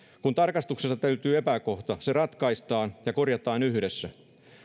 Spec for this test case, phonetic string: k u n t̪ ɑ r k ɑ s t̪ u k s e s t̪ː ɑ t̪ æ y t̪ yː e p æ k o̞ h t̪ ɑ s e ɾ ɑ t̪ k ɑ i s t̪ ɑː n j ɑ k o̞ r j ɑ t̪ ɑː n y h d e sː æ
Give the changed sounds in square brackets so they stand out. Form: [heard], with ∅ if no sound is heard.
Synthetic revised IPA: k u n t̪ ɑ r k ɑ s t̪ u k s e s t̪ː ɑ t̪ æ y t̪ yː e p æ k o̞ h t̪ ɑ s e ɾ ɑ t̪ k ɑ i s t̪ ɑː n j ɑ k o̞ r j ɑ t̪ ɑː n y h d e sː æ